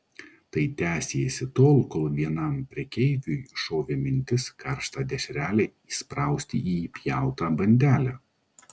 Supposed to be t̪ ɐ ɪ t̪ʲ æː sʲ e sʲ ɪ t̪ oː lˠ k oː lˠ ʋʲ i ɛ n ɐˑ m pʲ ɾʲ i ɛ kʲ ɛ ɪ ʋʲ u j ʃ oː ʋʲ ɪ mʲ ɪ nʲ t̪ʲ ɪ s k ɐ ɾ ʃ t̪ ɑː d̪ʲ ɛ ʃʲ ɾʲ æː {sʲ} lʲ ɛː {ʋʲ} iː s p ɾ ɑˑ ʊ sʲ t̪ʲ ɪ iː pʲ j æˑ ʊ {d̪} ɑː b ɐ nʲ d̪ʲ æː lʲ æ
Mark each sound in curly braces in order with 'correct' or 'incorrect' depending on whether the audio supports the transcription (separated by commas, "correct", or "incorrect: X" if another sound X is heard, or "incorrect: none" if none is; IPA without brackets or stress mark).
incorrect: none, incorrect: none, incorrect: t̪